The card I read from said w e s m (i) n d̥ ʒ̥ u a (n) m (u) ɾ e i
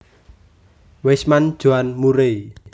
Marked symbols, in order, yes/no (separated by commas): no, yes, yes